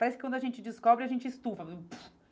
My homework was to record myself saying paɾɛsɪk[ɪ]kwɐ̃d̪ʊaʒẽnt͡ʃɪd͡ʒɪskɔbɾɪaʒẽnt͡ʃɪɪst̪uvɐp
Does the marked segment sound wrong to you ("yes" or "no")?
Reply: no